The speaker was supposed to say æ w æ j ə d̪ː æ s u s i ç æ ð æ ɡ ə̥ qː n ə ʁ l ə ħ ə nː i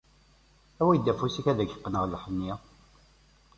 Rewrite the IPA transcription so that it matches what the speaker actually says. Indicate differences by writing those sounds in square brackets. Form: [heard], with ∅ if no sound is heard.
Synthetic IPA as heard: æ w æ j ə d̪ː æ [f] u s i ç æ ð æ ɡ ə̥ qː n ə ʁ l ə ħ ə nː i